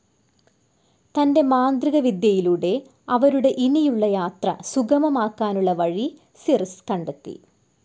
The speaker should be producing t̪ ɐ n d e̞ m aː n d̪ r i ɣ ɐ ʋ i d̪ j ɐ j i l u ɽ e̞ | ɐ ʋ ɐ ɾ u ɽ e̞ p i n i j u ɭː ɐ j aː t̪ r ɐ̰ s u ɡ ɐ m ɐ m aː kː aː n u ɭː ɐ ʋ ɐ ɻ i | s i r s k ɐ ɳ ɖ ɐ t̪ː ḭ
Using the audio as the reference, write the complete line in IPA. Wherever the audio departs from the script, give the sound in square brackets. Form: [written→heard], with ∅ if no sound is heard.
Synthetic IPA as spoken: t̪ ɐ n d e̞ m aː n d̪ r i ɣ ɐ ʋ i d̪ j ɐ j i l u ɽ e̞ | ɐ ʋ ɐ ɾ u ɽ e̞ [p→ʔ] i n i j u ɭː ɐ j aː t̪ r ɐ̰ s u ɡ ɐ m ɐ m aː kː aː n u ɭː ɐ ʋ ɐ ɻ i | s i r s k ɐ ɳ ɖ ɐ t̪ː ḭ